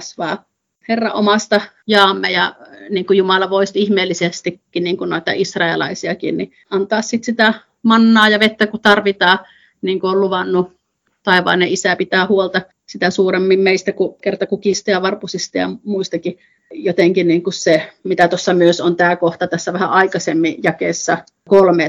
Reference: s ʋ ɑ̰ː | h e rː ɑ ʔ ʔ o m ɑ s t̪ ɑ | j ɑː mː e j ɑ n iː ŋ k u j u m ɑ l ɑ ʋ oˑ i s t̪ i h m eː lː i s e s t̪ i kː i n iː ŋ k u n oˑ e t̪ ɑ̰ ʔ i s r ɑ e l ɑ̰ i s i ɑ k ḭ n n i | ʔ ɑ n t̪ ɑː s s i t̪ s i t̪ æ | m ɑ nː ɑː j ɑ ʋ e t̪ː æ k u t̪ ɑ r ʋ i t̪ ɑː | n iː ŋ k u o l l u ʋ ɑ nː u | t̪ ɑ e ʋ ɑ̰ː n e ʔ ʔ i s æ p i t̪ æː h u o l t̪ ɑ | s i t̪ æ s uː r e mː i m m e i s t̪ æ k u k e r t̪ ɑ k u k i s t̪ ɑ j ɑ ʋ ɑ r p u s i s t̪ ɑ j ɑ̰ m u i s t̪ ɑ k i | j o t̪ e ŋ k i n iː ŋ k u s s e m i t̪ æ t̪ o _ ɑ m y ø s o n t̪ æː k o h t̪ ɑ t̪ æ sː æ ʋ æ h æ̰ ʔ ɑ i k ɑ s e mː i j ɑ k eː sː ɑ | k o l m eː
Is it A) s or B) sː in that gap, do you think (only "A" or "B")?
B